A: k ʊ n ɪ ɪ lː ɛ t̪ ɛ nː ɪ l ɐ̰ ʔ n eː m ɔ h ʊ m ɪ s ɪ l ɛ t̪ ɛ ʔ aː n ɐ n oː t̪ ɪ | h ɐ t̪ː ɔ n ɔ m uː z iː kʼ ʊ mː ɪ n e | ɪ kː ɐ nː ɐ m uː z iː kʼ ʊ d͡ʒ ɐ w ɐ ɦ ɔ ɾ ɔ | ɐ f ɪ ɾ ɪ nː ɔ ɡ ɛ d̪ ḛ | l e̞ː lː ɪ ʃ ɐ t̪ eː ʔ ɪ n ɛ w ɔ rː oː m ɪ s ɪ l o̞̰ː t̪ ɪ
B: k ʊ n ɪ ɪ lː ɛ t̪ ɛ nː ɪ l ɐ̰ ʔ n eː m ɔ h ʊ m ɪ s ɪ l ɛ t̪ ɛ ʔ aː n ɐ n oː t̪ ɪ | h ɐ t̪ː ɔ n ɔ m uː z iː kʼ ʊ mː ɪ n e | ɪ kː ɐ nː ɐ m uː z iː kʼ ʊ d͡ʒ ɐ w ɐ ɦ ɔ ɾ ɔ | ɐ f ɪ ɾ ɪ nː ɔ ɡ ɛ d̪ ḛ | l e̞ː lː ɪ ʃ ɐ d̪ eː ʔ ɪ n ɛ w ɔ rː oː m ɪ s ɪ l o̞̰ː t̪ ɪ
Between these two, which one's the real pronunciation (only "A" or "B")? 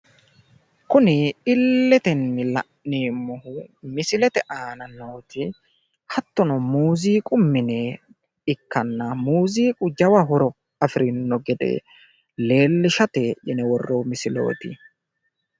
A